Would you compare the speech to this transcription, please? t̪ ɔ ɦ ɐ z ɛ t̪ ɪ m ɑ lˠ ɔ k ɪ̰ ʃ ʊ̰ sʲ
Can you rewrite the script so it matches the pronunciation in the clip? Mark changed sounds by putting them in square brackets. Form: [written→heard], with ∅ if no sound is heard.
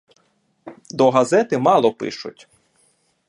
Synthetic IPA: [t̪→d̪] ɔ ɦ ɐ z ɛ t̪ ɪ m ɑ lˠ ɔ [k→p] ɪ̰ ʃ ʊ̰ [sʲ→tʲ]